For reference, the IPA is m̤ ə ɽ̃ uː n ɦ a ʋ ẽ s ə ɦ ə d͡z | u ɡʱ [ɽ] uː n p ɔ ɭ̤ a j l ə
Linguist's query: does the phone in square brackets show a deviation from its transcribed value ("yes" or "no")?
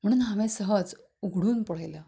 no